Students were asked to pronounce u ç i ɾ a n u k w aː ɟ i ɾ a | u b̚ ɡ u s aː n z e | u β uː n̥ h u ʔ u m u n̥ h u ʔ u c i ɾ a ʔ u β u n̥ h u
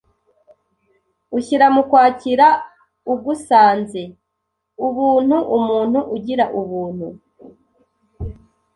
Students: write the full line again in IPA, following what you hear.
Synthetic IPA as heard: u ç i ɾ a m u k w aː c i ɾ a | u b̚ ɡ u s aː n z e | u β uː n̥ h u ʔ u m uː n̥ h u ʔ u ɟ i ɾ a ʔ u β uː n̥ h u